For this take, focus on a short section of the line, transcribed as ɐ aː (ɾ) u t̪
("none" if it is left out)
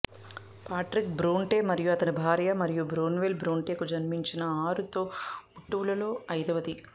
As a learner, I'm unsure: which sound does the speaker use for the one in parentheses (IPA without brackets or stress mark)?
ɾ